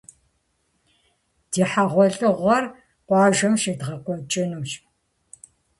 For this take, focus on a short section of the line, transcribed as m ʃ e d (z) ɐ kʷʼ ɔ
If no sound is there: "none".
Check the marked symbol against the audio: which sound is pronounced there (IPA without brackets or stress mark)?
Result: ʁ